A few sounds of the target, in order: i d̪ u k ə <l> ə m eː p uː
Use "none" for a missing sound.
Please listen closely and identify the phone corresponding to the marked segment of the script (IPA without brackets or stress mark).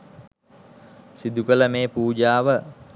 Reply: l